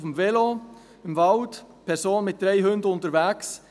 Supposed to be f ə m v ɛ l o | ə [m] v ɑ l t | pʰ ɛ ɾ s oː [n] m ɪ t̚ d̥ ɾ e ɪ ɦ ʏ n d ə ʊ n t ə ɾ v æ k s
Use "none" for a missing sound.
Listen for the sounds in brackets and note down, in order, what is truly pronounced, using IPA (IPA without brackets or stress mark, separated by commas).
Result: m, n